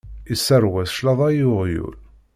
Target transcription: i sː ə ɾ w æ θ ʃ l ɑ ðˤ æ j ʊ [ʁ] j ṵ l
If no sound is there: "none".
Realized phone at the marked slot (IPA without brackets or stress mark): ʁ